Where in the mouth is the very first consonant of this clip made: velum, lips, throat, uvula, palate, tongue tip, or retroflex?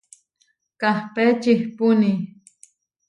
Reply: velum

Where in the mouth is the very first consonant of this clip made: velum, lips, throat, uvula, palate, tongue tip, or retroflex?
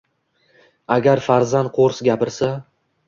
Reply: velum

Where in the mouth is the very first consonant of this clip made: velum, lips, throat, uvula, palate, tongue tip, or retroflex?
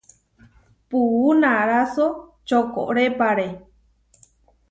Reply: lips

